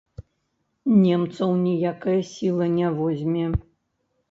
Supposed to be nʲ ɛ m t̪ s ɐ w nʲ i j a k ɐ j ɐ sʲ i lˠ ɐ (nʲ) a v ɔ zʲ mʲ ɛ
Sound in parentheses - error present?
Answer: no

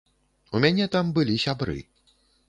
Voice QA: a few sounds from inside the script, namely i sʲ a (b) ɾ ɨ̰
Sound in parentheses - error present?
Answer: no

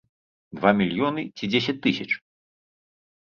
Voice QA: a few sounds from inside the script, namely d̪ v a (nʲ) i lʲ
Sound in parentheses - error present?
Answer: yes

